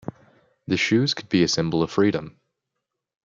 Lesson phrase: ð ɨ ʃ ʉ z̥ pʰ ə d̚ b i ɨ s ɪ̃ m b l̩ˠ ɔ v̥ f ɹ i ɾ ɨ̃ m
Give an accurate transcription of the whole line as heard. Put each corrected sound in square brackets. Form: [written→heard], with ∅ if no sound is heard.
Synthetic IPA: ð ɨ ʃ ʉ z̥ [pʰ→kʰ] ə d̚ b i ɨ s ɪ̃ m b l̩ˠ [ɔ→ʌ] v̥ f ɹ i ɾ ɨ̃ m